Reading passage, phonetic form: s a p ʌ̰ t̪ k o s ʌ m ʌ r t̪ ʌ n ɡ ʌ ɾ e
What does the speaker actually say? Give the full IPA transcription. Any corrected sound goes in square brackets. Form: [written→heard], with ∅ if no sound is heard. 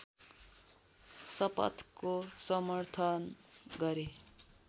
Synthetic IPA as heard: s [a→ʌ] p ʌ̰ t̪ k o s ʌ m ʌ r [t̪→t̪ʰ] ʌ n ɡ ʌ ɾ e